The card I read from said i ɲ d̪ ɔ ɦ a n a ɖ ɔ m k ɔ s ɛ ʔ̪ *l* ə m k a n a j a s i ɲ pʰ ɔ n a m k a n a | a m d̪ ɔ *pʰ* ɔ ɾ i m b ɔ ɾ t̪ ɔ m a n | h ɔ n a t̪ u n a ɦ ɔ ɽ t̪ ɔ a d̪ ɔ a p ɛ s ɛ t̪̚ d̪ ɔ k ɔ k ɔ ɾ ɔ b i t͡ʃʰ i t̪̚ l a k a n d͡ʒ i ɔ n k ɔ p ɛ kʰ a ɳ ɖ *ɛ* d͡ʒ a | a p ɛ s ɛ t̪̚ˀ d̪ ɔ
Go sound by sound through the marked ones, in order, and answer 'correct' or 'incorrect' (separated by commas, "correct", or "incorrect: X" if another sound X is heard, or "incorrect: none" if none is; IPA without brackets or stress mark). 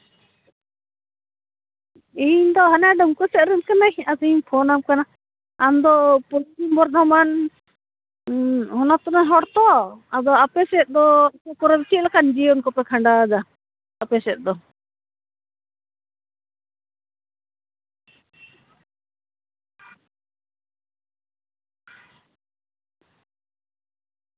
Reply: incorrect: ɾ, incorrect: p, incorrect: a